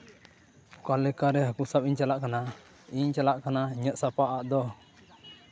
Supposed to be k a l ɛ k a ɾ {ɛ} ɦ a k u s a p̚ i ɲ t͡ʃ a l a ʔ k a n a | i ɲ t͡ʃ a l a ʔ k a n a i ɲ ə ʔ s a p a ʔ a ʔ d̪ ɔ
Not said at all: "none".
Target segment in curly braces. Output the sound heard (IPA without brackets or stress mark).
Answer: ɛ